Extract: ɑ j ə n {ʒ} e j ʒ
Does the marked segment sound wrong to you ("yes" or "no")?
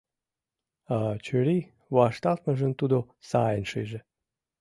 yes